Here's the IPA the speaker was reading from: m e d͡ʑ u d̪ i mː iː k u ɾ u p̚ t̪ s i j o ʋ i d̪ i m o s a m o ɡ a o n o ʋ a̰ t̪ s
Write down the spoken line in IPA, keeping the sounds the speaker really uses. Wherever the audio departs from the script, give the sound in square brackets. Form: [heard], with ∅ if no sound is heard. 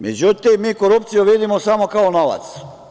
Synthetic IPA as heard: m e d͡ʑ u [t̪] i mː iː k [o] ɾ u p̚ t̪ s i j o ʋ i d̪ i m o s a m o [k] a o n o ʋ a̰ t̪ s